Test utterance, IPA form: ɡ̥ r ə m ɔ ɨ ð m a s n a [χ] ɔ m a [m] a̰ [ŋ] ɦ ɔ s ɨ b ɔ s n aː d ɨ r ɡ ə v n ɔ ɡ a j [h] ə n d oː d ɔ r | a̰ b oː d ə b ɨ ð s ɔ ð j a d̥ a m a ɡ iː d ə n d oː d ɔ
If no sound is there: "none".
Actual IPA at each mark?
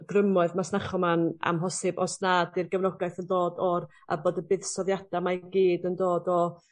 χ, n, m, θ

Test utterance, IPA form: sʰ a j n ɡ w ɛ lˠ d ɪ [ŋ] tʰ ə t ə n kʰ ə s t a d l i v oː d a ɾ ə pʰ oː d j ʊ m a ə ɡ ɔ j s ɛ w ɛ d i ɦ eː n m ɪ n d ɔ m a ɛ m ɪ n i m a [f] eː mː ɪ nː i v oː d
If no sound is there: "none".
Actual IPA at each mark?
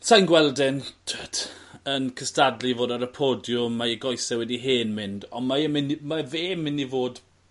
n, v

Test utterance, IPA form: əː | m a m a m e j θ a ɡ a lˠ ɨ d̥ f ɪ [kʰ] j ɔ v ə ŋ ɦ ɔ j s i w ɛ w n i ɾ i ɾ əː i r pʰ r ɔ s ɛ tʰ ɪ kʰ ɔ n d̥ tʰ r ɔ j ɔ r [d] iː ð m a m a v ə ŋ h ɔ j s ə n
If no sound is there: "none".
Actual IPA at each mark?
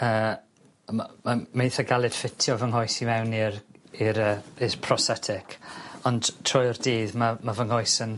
tʰ, d

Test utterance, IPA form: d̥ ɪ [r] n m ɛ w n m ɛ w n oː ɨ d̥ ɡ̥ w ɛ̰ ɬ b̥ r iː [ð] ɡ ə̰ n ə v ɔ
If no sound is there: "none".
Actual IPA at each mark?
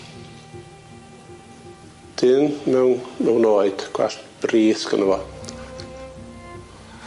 none, θ

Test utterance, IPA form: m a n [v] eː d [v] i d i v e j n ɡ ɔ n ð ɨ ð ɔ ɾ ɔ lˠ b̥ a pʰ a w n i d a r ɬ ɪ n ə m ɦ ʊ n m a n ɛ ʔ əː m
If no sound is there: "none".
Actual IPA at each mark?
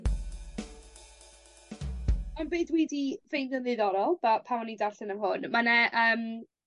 b, w

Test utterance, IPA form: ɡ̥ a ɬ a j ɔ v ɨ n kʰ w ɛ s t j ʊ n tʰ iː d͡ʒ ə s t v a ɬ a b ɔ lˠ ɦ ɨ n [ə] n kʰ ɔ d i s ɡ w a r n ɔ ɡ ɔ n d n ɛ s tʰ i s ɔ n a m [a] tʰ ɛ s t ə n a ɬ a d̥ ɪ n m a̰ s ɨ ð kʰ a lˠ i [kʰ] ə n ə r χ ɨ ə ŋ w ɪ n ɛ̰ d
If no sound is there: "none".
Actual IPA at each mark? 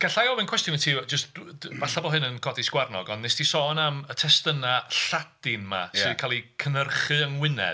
ə, ə, kʰ

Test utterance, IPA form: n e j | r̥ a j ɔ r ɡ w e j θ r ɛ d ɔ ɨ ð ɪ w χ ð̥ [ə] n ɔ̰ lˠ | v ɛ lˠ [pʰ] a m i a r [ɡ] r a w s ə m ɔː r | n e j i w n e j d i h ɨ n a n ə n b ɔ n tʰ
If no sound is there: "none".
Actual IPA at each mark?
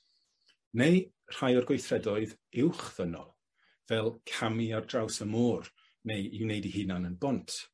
ə, kʰ, d

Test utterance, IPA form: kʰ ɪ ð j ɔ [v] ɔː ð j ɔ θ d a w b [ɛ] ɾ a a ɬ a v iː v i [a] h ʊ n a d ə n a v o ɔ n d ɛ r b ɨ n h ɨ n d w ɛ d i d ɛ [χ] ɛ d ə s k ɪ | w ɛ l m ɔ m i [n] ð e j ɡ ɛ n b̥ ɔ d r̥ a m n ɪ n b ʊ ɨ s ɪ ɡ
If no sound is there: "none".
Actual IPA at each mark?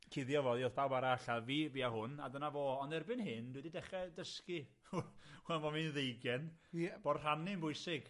v, a, a, χ, n

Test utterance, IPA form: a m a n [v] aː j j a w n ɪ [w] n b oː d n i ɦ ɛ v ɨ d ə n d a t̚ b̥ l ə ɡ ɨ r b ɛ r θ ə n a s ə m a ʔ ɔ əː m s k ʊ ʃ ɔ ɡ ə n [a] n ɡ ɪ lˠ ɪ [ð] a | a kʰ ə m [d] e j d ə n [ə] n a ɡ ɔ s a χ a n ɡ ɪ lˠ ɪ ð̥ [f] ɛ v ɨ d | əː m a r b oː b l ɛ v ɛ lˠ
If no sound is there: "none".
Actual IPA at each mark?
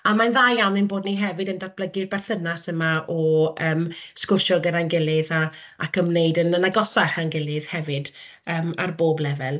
ð, none, a, ð, n, ə, h

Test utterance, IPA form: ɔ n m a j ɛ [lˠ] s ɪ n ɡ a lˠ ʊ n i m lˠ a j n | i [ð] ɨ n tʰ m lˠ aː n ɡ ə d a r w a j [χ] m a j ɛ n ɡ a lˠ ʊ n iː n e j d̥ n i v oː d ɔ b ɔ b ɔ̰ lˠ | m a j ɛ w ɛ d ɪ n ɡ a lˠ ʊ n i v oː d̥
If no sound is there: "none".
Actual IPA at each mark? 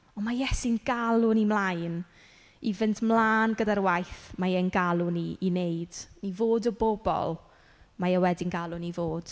none, v, θ

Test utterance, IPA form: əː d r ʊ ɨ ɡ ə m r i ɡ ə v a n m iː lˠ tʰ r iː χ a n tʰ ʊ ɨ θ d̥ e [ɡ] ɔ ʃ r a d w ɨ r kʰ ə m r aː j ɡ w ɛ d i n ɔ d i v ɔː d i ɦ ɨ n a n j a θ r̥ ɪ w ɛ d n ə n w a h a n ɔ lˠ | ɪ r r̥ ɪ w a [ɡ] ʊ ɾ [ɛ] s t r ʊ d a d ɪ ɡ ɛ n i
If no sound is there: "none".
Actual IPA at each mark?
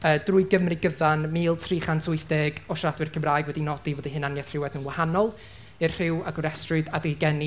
ɡ, ɡ, ɛ

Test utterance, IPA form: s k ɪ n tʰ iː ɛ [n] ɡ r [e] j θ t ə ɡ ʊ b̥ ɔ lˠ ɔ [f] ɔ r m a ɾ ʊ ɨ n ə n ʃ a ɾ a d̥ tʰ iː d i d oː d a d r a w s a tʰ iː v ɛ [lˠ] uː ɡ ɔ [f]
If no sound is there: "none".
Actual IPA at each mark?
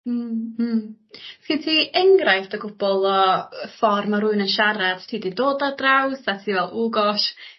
ŋ, a, f, lˠ, ʃ

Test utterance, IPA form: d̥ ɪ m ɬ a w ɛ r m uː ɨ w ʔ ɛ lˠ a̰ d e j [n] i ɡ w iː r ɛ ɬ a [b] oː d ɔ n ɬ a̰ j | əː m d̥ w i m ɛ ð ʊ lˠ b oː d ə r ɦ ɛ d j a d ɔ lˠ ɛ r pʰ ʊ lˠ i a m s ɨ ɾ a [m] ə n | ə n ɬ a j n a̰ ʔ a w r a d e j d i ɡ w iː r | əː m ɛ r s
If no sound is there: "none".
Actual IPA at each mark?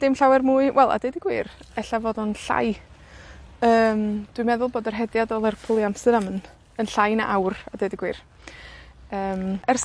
d, v, m

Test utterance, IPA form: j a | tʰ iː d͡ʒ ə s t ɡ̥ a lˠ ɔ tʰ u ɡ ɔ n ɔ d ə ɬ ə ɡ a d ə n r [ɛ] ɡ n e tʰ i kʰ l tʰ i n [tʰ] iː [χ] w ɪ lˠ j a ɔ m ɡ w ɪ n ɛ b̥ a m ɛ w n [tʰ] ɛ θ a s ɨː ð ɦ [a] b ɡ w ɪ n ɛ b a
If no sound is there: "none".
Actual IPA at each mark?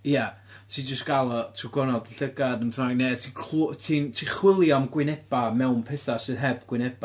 a, tʰ, χ, pʰ, ɛ

